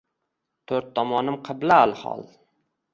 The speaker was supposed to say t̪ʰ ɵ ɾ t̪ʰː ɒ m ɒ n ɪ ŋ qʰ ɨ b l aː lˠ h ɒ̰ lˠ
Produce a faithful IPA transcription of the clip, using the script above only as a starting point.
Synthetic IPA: t̪ʰ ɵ ɾ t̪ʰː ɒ m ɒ n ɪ m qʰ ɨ b l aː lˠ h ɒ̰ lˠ